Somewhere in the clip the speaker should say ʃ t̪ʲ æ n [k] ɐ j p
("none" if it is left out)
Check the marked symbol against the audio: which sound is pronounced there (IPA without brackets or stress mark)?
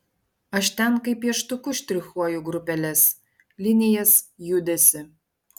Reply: k